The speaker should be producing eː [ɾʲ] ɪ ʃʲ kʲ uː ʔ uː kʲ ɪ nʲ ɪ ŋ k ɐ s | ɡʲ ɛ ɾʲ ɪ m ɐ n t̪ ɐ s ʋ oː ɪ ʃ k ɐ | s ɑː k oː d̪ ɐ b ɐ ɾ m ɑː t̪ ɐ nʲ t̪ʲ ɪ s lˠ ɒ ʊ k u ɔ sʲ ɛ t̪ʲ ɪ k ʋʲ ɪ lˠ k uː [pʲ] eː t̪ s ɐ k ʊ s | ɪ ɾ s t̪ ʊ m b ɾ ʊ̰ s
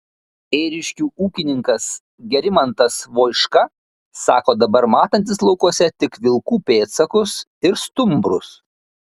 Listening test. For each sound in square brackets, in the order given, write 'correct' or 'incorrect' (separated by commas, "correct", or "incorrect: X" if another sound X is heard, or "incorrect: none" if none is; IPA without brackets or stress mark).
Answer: correct, correct